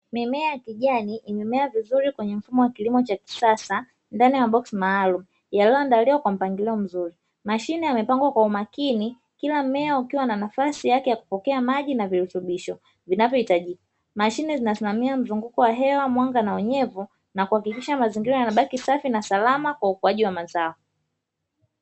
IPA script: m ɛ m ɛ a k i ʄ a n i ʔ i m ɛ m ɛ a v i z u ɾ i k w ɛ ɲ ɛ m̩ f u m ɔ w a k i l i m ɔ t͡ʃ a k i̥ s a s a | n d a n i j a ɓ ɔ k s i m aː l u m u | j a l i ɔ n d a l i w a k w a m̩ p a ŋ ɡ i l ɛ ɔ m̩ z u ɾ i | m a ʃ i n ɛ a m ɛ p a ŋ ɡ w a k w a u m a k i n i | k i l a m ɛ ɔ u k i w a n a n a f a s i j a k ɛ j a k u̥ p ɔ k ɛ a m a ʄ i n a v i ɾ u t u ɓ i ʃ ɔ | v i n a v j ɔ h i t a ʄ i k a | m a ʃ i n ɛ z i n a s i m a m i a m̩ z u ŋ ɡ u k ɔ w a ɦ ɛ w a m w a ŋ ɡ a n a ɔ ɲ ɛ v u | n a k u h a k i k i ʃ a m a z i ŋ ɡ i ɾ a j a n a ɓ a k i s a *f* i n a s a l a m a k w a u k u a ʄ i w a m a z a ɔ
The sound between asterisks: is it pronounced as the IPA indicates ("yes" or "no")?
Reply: yes